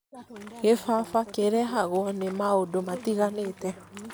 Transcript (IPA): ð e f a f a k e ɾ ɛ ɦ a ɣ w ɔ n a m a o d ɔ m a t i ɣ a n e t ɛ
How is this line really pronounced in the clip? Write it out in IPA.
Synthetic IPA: ɣ e f a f a k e ɾ ɛ ɦ a ɣ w ɔ n e m a o d o m a t i ɣ a n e t ɛ